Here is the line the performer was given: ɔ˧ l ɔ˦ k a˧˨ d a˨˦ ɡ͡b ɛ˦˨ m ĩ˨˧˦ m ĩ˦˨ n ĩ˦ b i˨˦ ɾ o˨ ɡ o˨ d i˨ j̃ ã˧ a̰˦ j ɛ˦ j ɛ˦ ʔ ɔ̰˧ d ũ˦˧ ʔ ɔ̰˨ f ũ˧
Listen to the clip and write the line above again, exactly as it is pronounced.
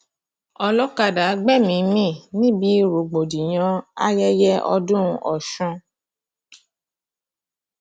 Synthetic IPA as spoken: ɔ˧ l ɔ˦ k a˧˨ d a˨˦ ɡ͡b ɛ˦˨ m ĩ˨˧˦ m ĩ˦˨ n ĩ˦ b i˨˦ ɾ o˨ ɡ͡b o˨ d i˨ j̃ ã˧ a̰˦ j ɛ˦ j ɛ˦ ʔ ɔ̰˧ d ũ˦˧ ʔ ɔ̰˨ ʃ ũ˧

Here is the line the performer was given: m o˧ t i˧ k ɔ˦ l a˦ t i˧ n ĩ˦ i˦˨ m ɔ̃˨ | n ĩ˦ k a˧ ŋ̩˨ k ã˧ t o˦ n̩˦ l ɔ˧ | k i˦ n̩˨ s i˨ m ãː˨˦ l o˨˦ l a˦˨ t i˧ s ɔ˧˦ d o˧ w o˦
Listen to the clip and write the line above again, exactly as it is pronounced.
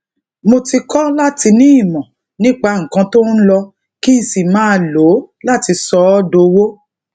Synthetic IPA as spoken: m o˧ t i˧ k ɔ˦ l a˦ t i˧ n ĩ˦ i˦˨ m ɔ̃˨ | n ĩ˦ k͡p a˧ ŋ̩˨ k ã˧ t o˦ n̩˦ l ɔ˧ | k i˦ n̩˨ s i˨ m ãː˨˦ l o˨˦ l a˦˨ t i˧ s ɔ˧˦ d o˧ w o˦

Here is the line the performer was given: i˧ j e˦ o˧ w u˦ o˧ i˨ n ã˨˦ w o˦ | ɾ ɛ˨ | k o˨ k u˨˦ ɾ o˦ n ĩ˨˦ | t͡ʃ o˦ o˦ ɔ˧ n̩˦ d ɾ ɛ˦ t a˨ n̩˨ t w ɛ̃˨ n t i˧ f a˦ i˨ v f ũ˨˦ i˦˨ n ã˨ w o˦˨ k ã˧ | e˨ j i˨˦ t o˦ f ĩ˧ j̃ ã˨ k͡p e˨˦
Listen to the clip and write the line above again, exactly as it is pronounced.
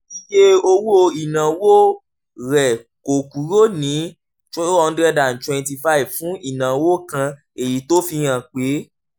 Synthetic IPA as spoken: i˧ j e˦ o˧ w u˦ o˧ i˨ n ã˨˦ w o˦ | ɾ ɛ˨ | k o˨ k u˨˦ ɾ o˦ n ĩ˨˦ | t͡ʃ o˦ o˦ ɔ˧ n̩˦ d ɾ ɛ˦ d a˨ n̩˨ t w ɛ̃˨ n t i˧ f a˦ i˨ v f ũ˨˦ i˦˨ n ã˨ w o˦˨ k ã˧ | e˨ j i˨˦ t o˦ f i˧ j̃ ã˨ k͡p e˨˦

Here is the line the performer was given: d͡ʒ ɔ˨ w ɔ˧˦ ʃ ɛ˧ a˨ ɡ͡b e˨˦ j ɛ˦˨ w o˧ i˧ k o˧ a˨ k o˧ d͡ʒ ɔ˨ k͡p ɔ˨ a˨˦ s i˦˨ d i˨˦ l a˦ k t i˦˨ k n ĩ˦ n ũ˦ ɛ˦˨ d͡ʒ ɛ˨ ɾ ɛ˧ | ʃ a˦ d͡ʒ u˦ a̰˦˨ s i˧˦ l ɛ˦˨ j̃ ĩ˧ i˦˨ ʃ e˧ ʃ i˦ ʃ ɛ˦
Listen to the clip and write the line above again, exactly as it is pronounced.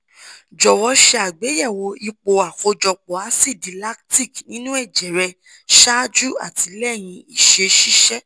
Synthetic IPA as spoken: d͡ʒ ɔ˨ w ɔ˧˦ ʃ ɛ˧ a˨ ɡ͡b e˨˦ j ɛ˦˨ w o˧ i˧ k͡p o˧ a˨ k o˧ d͡ʒ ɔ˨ k͡p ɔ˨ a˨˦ s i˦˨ d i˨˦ l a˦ k t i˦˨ k n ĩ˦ n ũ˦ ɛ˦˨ d͡ʒ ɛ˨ ɾ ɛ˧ | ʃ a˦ d͡ʒ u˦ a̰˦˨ t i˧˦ l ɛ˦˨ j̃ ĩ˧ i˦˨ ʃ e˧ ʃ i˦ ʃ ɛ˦

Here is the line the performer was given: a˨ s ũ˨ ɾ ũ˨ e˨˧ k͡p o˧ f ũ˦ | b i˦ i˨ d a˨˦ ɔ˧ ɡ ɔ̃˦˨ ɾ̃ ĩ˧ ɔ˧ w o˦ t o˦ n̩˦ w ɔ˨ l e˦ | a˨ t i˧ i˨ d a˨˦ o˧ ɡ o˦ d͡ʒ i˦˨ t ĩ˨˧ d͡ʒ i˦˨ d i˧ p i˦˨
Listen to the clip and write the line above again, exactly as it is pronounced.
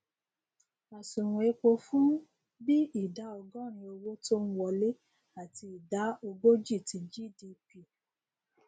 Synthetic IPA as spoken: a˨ s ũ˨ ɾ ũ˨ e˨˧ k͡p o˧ f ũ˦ | b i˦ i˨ d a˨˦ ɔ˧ ɡ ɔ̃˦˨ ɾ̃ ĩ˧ o˧ w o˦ t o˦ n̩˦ w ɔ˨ l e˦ | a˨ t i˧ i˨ d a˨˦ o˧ ɡ o˦ d͡ʒ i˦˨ t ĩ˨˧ d͡ʒ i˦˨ d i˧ p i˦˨

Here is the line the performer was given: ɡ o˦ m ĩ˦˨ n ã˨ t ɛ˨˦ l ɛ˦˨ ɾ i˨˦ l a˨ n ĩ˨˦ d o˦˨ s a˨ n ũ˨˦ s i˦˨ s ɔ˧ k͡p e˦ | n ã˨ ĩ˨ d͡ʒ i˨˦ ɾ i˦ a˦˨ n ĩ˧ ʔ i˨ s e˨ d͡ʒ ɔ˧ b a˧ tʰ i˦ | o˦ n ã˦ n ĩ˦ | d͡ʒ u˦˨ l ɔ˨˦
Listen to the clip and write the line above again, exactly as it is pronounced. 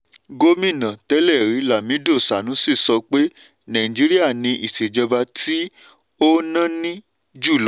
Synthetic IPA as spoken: ɡ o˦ m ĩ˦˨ n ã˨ t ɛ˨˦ l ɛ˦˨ ɾ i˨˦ l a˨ m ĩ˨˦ d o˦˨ s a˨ n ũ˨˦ s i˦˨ s ɔ˧ k͡p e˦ | n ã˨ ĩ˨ d͡ʒ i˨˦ ɾ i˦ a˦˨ n ĩ˧ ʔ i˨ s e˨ d͡ʒ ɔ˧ b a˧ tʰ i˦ | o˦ n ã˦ n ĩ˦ | d͡ʒ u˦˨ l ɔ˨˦

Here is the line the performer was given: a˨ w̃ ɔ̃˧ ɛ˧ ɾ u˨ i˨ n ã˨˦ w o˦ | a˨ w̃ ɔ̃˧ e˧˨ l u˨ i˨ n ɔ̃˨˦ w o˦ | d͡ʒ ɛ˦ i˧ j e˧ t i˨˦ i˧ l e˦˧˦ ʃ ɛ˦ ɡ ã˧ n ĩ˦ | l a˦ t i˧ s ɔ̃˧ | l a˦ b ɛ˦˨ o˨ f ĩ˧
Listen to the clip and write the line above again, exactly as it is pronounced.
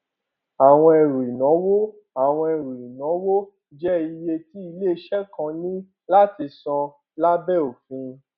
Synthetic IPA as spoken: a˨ w̃ ɔ̃˧ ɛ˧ ɾ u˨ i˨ n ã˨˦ w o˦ | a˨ w̃ ɔ̃˧ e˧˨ ɾ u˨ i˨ n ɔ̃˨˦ w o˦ | d͡ʒ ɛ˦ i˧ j e˧ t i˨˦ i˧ l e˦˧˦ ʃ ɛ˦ k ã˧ n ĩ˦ | l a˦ t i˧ s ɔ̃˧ | l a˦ b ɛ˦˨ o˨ f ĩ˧

